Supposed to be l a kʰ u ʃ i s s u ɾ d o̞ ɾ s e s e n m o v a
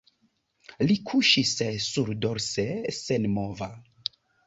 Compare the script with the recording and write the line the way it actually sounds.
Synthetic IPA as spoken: l i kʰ u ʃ i s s u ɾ d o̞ ɾ s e s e n m o v a